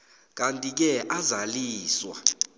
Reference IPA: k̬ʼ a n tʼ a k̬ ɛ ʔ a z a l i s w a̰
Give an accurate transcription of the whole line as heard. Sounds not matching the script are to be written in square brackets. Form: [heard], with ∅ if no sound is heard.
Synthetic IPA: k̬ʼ a n tʼ [i] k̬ ɛ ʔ a z a l [iː] s w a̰